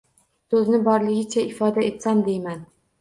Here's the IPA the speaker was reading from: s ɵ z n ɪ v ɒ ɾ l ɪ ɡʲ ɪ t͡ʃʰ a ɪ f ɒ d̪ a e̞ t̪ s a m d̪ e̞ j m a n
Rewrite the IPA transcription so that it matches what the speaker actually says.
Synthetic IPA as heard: s ɵ z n ɪ b ɒ ɾ l ɪ ɡʲ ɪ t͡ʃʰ a ɪ f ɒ d̪ a e̞ t̪ s a m d̪ e̞ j m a n